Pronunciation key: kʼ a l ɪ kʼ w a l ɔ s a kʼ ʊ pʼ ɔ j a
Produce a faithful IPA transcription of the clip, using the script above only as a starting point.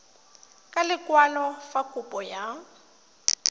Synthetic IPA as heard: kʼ a l ɪ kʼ w a l ɔ f a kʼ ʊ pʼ ɔ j a